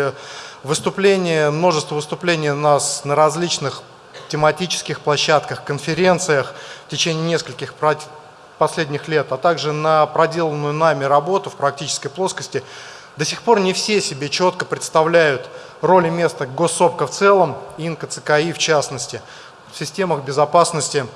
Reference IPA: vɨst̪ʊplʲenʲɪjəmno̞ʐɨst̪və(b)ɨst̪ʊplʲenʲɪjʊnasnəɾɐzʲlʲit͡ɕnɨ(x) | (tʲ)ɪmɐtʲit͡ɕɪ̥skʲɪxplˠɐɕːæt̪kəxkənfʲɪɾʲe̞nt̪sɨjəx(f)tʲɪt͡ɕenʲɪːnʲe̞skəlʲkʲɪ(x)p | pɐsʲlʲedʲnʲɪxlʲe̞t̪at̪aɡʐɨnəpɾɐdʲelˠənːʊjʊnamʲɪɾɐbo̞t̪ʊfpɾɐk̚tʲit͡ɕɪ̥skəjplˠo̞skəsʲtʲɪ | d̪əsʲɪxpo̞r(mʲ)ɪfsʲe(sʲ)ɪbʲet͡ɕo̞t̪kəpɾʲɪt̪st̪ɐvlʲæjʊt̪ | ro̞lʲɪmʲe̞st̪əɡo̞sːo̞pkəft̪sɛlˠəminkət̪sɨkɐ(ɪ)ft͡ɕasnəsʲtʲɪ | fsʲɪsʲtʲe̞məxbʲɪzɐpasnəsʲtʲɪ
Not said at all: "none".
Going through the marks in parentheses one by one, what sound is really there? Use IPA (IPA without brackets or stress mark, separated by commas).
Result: v, x, tʲ, f, x, nʲ, sʲ, i